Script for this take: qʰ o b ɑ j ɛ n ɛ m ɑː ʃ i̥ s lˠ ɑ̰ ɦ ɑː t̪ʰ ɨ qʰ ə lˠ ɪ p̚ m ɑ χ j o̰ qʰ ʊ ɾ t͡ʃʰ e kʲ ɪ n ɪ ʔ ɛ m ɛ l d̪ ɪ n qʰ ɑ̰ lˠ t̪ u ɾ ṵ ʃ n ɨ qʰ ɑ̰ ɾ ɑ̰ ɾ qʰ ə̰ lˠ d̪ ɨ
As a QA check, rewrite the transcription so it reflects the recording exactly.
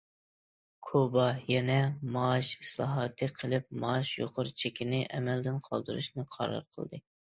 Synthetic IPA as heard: kʰ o b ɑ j ɛ n ɛ m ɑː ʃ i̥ s lˠ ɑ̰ ɦ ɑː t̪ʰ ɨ qʰ ə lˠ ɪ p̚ m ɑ ʃ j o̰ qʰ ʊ ɾ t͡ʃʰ e kʲ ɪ n ɪ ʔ ɛ m ɛ l d̪ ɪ n qʰ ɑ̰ lˠ d̪ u ɾ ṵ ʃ n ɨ qʰ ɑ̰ ɾ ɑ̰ ɾ qʰ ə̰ lˠ d̪ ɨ